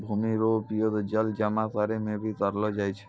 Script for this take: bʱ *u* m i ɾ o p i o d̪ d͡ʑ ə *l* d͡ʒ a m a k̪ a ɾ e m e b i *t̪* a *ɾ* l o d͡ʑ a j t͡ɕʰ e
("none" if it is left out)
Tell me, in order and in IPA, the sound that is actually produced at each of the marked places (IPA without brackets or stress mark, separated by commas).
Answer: u, l, t̪, ɾ